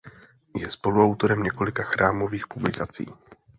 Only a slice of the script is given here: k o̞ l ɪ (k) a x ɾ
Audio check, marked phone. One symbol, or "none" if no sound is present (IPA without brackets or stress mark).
k